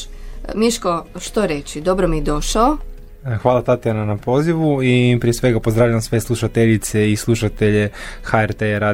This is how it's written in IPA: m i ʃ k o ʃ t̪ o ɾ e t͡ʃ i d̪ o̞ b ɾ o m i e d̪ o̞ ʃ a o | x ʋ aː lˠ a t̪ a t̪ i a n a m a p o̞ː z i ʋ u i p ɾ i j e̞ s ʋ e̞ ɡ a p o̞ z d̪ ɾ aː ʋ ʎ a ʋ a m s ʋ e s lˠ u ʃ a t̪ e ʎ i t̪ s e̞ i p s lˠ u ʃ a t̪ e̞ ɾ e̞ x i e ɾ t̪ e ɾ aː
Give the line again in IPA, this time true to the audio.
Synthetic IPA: m i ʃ k o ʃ t̪ o ɾ e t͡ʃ i d̪ o̞ b ɾ o m i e d̪ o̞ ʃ a o | x ʋ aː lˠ a t̪ a t̪ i a n a n a p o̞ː z i ʋ u i p ɾ i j e̞ s ʋ e̞ ɡ a p o̞ z d̪ ɾ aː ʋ ʎ a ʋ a m s ʋ e s lˠ u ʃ a t̪ e ʎ i t̪ s e̞ i s lˠ u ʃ a t̪ e̞ ʎ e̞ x a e ɾ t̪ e ɾ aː